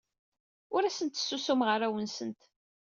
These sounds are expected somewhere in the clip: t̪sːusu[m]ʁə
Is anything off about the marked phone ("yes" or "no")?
no